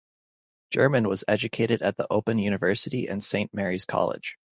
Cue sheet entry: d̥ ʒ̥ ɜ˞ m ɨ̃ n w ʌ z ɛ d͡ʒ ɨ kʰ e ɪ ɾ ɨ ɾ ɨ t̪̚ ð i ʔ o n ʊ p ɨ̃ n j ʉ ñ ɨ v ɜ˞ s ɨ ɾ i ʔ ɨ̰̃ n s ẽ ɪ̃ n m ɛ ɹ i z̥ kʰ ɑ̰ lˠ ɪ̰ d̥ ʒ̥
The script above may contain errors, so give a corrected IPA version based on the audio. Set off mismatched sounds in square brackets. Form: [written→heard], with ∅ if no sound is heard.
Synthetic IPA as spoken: d̥ ʒ̥ ɜ˞ m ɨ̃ n w ʌ z ɛ d͡ʒ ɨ kʰ e ɪ ɾ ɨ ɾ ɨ t̪̚ ð i ʔ o [n→∅] ʊ p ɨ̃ n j ʉ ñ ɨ v ɜ˞ s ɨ ɾ i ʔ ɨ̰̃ n s ẽ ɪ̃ n m ɛ ɹ i z̥ kʰ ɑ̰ lˠ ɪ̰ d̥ ʒ̥